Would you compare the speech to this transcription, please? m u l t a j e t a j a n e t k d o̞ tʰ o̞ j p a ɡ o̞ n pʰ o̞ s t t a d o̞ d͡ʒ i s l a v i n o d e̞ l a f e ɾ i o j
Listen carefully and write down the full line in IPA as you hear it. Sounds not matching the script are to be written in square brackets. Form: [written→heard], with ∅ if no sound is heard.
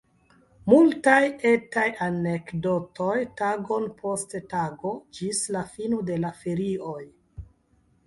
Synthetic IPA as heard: m u l t a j e t a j a n e [t→∅] k d o̞ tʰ o̞ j [p→t] a ɡ o̞ n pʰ o̞ s t t a [d→ɡ] o̞ d͡ʒ i s l a [v→f] i n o d e̞ l a f e ɾ i o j